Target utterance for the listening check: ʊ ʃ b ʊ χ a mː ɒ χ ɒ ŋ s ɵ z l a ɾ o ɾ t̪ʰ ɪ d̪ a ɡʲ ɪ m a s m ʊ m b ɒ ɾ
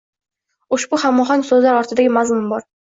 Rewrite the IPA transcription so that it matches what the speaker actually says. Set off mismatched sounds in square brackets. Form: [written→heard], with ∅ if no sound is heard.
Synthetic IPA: ʊ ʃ b ʊ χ a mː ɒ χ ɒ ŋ s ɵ z l a ɾ [o→ɒ] ɾ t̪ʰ ɪ d̪ a ɡʲ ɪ m a [s→z] m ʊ m b ɒ ɾ